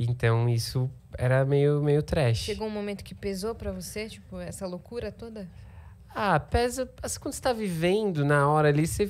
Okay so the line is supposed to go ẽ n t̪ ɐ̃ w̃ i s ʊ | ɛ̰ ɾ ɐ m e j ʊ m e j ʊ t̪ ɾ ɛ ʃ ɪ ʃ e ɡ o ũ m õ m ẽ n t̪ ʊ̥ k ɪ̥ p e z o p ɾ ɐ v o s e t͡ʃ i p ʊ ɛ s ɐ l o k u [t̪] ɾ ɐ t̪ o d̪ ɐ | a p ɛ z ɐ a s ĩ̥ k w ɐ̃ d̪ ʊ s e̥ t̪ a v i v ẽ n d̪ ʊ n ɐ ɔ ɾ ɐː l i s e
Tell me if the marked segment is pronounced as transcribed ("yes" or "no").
no